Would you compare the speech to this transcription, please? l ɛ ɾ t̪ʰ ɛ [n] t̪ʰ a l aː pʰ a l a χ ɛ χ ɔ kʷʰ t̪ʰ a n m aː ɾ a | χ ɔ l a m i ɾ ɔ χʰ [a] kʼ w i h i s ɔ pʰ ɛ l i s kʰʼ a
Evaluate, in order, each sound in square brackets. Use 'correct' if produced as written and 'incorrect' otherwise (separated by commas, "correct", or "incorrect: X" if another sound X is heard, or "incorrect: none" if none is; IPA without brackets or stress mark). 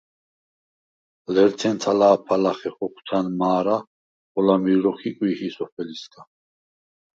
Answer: correct, incorrect: i